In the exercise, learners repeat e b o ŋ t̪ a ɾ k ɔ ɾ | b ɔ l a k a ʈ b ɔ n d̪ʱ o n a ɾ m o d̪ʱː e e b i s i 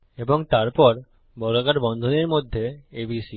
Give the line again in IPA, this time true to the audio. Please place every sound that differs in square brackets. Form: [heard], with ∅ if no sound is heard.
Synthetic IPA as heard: e b o ŋ t̪ a ɾ [p] ɔ ɾ | b ɔ l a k a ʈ b ɔ n d̪ʱ o n [e] ɾ m o d̪ʱː e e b i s i